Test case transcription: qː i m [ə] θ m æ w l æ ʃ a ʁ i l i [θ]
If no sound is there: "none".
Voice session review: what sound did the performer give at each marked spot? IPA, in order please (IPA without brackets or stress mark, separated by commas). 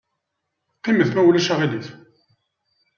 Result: ə, θ